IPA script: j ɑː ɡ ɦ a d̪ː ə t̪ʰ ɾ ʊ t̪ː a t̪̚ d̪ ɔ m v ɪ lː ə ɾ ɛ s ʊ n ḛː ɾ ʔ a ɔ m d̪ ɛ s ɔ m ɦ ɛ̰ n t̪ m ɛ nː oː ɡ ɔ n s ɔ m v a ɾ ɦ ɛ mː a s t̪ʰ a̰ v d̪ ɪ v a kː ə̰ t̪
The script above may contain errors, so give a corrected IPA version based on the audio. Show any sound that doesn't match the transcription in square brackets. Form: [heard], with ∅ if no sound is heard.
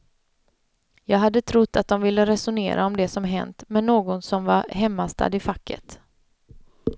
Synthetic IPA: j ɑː ɡ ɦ a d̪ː ə t̪ʰ ɾ ʊ t̪ː a t̪̚ d̪ ɔ m v ɪ lː ə ɾ ɛ s ʊ n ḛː ɾ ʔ a ɔ m d̪ ɛ s ɔ m ɦ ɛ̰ n t̪ m ɛ nː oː ɡ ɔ n s ɔ m v a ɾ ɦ ɛ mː a s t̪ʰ a̰ [∅] d̪ ɪ [f] a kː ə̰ t̪